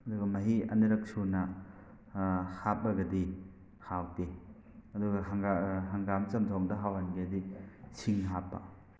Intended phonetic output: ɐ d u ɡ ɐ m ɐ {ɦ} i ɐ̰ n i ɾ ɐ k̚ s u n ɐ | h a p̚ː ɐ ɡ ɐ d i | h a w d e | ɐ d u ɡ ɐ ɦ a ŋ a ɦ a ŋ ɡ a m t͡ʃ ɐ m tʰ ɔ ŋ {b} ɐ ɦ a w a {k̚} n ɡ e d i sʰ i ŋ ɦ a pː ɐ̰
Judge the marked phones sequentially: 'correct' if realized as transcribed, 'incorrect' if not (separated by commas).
correct, incorrect, incorrect